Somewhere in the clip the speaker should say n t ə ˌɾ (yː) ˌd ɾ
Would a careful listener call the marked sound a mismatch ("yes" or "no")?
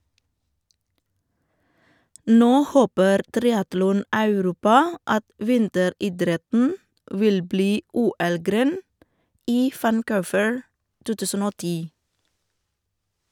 yes